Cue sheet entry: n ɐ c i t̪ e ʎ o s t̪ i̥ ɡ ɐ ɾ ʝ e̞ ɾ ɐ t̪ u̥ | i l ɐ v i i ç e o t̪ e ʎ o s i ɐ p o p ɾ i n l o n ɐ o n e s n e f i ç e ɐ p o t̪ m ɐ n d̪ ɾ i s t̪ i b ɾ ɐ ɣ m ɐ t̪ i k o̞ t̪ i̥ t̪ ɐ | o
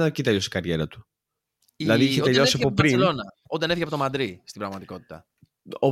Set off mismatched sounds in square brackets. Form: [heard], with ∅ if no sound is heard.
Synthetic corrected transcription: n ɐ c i t̪ e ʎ o s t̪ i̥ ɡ ɐ ɾ ʝ e̞ ɾ ɐ t̪ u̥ | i l ɐ [ð] i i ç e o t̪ e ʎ o s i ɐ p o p ɾ i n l o n ɐ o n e [∅] n e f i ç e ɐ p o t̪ m ɐ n d̪ ɾ i s t̪ i b ɾ ɐ ɣ m ɐ t̪ i k o̞ t̪ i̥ t̪ ɐ | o